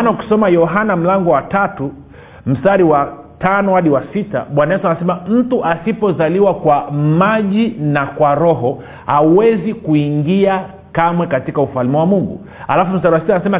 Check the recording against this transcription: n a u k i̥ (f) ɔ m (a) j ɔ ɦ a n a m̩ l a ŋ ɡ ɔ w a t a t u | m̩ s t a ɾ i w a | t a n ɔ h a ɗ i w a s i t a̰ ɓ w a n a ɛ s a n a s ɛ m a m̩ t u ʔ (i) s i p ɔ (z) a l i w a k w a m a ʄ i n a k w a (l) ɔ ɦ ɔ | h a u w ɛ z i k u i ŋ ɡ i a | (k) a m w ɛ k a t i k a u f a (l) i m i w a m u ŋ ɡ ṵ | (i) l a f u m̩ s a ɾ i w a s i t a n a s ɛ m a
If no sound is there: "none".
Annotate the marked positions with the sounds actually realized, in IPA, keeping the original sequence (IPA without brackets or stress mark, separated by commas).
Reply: s, a, a, z, ɾ, k, l, a